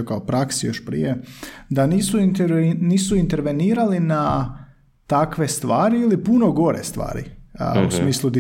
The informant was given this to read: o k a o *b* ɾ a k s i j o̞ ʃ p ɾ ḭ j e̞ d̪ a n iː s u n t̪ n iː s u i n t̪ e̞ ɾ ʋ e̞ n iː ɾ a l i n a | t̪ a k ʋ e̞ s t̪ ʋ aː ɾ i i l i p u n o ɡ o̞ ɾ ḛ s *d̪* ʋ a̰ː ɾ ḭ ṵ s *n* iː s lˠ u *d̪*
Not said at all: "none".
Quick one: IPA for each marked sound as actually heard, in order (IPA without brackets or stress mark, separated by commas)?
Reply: p, t̪, m, d̪